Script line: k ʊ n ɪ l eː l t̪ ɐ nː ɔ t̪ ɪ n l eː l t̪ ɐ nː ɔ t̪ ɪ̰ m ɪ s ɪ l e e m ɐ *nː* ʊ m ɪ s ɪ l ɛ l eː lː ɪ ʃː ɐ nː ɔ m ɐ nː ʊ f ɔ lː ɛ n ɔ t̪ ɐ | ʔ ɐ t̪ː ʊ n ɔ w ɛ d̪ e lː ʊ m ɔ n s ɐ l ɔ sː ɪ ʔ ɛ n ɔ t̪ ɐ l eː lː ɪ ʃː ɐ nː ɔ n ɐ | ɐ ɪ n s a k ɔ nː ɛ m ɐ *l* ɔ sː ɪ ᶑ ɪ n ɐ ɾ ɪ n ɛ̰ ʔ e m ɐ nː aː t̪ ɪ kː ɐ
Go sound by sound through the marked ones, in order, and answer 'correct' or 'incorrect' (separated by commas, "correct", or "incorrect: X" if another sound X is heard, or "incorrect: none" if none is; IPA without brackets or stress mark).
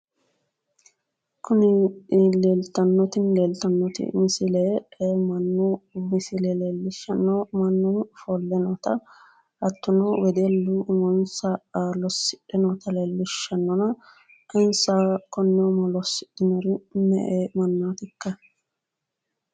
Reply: correct, correct